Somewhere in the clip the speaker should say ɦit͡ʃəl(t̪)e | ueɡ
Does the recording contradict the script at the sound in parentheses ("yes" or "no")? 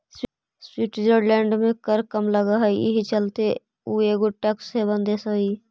no